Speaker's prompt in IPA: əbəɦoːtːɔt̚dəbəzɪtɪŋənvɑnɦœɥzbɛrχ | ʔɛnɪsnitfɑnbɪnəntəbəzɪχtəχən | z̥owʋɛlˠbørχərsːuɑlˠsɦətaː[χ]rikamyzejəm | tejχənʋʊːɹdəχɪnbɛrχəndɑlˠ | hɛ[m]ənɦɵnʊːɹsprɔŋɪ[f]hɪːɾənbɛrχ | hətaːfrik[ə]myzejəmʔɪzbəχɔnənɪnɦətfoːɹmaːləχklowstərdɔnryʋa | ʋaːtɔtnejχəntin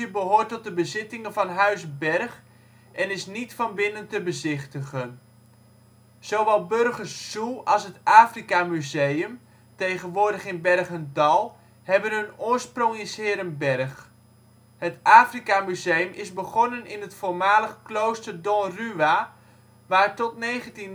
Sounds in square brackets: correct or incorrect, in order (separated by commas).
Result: incorrect, incorrect, incorrect, incorrect